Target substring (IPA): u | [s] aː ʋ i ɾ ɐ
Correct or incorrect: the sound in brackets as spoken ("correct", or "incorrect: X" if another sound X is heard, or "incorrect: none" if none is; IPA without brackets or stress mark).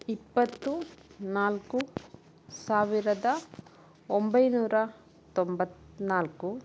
correct